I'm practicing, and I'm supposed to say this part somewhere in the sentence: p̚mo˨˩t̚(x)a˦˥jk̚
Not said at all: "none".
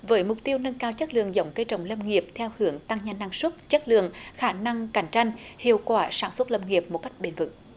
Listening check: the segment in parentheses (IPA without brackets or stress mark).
k